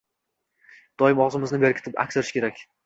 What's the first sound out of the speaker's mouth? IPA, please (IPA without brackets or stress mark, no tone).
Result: d̪̥